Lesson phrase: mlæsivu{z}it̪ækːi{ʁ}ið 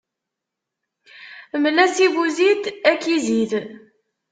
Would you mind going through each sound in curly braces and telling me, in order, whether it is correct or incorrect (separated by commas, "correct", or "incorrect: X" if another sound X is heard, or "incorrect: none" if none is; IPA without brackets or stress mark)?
correct, incorrect: z